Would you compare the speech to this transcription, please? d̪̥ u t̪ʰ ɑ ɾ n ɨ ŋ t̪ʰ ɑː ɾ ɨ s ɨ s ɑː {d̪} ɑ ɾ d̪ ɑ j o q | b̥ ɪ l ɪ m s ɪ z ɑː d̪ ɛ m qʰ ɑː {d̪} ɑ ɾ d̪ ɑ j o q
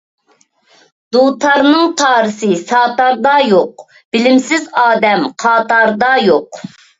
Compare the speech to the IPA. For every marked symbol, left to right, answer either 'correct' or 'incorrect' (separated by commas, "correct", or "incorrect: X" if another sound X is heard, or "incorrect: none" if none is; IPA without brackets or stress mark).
incorrect: t̪, incorrect: t̪